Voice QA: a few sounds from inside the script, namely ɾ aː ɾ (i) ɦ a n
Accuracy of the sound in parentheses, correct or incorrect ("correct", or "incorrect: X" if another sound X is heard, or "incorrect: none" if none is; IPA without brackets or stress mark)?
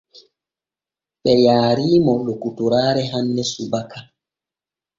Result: incorrect: ɛ